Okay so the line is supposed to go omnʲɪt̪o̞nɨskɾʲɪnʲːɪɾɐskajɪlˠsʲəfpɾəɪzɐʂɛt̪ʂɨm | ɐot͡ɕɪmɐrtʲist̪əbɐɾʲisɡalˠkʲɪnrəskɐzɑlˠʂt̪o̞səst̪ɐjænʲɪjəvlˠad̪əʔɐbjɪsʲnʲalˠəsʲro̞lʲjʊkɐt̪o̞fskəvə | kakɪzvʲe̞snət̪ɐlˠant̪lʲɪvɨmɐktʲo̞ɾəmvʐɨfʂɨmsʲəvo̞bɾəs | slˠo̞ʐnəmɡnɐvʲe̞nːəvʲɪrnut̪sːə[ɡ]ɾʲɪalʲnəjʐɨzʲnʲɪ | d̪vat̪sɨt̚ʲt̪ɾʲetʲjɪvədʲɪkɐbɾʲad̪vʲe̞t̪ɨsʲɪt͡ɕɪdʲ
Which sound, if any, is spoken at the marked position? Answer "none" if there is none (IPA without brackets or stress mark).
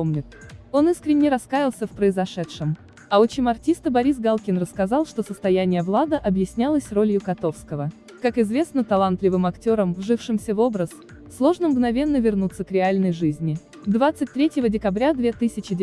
k